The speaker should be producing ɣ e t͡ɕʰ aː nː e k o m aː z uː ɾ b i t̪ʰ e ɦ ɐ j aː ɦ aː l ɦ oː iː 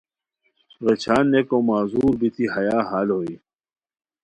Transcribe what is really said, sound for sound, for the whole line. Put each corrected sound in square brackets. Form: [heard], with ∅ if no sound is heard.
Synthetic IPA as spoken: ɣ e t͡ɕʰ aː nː e k o m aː z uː ɾ b i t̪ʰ [i] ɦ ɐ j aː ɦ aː l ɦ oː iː